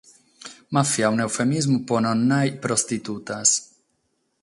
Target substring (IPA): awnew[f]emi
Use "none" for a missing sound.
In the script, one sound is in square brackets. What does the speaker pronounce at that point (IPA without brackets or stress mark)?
f